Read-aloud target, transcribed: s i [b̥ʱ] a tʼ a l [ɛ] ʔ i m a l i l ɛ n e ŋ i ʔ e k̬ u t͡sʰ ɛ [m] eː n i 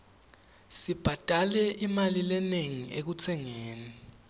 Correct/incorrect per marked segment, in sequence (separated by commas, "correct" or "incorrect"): correct, correct, incorrect